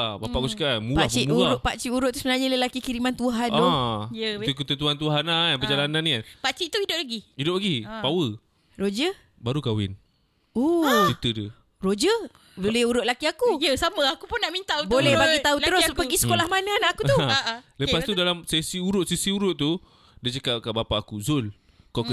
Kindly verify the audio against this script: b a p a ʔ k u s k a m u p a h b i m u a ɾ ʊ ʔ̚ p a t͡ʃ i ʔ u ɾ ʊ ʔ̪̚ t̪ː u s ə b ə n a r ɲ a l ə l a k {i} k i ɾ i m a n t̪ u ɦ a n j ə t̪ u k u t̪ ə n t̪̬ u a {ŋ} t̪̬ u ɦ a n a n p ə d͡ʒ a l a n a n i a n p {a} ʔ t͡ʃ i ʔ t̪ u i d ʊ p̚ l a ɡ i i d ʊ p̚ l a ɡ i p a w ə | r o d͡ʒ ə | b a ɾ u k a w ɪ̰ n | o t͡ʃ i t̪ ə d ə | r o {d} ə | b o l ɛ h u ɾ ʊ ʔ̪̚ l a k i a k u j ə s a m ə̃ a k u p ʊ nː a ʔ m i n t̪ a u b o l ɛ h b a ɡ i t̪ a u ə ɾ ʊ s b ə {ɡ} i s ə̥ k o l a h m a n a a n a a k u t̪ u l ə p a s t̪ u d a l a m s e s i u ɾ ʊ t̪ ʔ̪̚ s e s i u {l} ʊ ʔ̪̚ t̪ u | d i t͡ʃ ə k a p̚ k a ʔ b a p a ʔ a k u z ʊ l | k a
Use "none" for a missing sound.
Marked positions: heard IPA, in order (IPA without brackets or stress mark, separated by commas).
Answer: i, n, a, d͡ʒ, ɡ, ɾ